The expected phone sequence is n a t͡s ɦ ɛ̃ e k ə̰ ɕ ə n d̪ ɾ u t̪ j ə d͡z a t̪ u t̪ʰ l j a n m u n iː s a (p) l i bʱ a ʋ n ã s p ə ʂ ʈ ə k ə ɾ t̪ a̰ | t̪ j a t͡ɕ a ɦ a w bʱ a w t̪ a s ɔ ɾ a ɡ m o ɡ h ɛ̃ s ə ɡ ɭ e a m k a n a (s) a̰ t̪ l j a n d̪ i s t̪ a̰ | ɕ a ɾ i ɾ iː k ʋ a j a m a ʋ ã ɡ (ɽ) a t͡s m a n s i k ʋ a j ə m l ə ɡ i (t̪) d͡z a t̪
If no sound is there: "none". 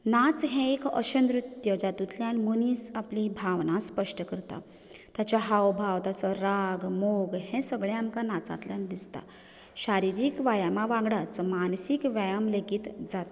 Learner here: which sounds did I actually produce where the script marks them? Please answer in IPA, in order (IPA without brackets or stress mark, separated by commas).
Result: p, t͡s, ɽ, t̪